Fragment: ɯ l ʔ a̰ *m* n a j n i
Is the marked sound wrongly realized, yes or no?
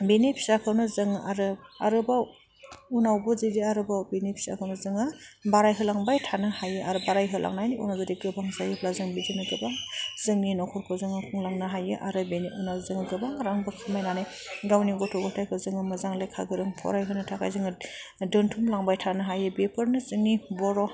yes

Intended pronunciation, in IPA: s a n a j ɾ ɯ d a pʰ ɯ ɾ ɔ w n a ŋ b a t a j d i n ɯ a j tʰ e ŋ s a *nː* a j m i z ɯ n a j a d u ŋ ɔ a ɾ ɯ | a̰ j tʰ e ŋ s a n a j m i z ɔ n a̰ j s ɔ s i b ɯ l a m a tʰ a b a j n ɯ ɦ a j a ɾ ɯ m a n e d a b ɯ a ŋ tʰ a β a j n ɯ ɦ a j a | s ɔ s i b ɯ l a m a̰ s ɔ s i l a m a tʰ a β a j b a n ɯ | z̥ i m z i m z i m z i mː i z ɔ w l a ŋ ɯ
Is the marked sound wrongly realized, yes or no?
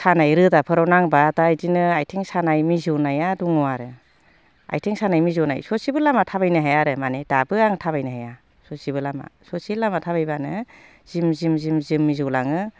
yes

